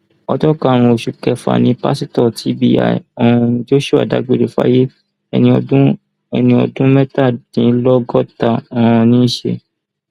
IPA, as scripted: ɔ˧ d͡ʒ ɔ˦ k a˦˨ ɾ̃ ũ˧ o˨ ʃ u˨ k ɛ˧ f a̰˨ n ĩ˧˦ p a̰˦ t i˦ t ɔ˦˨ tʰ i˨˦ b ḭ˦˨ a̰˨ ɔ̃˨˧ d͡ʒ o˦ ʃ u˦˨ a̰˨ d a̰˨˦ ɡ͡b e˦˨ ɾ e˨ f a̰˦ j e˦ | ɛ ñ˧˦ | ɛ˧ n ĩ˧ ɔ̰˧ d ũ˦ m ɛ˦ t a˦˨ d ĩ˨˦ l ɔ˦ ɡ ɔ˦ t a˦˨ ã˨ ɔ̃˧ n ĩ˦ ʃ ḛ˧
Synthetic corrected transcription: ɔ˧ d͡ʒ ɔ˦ k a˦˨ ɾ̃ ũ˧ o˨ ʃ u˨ k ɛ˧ f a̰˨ n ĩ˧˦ p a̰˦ s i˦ t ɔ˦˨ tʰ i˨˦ b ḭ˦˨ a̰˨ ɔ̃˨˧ d͡ʒ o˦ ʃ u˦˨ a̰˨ d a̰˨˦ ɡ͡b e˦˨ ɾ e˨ f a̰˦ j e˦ | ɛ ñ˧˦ | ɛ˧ n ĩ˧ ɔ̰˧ d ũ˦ m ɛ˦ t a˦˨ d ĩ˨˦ l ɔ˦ ɡ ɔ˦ t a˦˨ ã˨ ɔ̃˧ n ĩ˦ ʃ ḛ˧